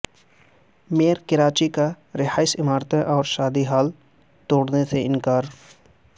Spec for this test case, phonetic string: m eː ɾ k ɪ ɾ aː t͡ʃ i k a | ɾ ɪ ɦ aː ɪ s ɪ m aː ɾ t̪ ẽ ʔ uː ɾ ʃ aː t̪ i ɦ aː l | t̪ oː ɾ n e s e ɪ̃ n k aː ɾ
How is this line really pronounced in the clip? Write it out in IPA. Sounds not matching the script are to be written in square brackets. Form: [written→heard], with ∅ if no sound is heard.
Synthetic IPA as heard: m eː ɾ k ɪ ɾ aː t͡ʃ i k a | ɾ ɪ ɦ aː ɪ s ɪ m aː ɾ t̪ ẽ ʔ [uː→ɔː] ɾ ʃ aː [t̪→d̪] i ɦ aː l | t̪ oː [ɾ→ɽ] n e s e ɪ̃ n k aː ɾ